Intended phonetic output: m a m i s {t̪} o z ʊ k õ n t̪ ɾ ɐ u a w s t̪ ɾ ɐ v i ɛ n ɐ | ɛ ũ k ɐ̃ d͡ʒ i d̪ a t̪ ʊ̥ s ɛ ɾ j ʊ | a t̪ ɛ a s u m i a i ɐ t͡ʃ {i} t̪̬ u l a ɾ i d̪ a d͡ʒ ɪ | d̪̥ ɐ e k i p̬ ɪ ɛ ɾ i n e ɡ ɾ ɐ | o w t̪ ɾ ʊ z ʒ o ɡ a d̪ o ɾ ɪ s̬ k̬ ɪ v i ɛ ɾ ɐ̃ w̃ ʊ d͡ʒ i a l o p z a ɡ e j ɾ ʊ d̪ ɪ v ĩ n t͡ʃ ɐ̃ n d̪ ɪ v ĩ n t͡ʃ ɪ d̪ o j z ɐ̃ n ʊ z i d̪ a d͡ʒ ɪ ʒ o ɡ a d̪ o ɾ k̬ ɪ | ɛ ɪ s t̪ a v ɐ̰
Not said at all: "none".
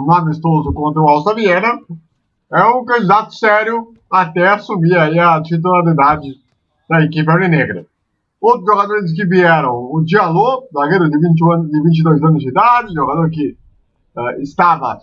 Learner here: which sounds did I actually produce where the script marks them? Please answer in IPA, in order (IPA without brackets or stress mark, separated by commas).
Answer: t̪, i